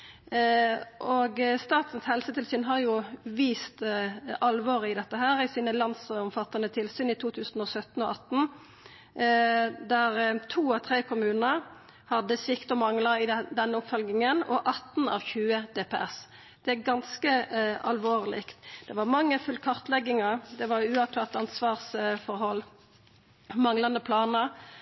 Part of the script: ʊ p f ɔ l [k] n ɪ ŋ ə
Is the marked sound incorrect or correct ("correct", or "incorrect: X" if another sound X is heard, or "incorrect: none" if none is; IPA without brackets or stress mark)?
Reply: incorrect: ɡ